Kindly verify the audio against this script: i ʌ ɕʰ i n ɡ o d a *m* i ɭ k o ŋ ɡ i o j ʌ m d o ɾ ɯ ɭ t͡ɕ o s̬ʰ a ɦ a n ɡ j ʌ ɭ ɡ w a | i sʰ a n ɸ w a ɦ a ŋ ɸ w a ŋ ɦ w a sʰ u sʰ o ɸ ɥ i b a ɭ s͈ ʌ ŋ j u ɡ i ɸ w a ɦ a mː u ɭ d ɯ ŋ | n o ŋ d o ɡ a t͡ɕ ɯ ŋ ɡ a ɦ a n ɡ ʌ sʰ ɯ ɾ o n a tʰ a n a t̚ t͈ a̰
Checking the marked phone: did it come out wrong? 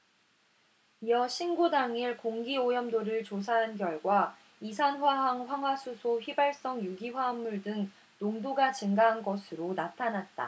yes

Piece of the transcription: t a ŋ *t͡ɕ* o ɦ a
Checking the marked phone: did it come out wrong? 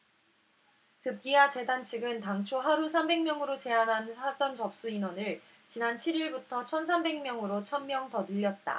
yes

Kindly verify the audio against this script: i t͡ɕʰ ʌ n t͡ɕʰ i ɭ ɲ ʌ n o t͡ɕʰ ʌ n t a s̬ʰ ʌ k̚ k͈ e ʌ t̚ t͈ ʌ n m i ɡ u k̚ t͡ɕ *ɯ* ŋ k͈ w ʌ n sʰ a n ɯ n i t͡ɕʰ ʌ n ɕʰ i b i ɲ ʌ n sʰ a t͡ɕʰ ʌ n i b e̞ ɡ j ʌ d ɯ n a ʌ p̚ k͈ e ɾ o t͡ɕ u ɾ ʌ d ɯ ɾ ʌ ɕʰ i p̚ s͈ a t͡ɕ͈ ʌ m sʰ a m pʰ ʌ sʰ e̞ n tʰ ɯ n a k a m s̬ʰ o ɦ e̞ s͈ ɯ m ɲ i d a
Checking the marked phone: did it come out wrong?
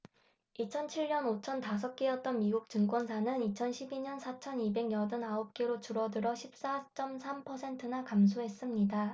no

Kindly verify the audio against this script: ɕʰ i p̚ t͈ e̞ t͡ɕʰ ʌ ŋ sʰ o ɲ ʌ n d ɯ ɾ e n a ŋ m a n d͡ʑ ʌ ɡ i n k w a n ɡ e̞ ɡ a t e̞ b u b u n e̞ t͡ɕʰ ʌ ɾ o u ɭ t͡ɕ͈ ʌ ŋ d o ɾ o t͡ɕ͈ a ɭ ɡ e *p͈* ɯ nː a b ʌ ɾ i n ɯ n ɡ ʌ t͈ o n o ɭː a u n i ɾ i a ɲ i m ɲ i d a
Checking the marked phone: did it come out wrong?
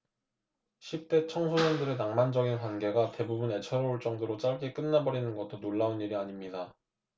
yes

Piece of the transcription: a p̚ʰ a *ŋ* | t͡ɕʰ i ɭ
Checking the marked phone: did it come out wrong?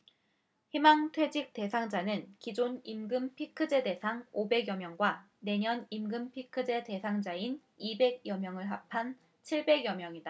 yes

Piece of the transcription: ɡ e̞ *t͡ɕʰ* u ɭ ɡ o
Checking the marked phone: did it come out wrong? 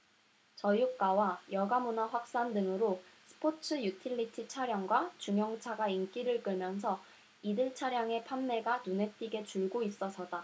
yes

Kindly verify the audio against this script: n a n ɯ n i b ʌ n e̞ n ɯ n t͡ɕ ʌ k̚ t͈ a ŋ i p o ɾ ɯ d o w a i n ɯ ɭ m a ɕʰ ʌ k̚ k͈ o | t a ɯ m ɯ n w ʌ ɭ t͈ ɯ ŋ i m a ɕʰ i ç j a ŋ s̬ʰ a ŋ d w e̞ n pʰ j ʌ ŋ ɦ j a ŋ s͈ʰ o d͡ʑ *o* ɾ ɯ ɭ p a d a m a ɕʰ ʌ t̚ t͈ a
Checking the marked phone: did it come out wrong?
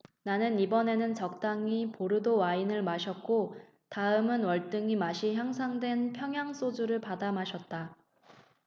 yes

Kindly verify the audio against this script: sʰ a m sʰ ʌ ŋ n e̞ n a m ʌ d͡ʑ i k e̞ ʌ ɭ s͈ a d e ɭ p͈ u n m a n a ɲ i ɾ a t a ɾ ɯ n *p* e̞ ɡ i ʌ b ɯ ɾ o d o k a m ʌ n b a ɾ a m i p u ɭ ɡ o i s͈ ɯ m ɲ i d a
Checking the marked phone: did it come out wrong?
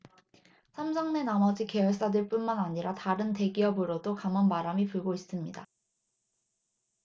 yes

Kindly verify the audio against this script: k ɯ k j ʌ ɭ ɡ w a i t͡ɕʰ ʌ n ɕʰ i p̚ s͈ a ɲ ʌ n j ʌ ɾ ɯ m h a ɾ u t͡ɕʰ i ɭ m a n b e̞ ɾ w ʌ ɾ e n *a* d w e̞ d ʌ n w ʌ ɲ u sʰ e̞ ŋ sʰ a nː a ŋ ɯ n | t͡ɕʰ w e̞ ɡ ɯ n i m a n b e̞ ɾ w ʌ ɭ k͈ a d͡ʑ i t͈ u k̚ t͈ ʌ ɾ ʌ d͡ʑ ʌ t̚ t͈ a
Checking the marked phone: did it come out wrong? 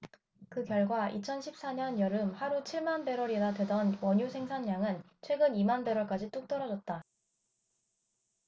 no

